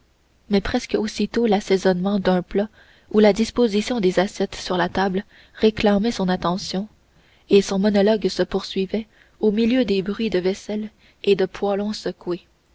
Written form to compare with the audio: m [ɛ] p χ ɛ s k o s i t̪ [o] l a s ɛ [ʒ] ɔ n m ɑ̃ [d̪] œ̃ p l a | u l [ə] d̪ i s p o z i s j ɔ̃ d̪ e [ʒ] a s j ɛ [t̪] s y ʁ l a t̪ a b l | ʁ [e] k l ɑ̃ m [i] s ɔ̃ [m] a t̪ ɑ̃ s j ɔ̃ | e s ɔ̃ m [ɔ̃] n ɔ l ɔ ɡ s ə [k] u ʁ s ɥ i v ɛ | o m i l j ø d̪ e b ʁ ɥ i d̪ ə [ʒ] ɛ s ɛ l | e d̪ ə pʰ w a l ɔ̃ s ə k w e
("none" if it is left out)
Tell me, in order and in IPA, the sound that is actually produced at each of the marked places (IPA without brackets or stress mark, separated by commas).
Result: ɛ, o, z, d̪, a, z, t̪, e, ɛ, n, ɔ, p, v